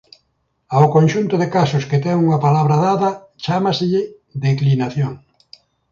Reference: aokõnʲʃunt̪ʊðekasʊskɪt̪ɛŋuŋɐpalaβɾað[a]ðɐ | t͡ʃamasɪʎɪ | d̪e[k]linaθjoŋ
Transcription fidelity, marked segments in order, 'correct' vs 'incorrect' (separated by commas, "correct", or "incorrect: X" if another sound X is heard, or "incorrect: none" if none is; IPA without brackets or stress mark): correct, correct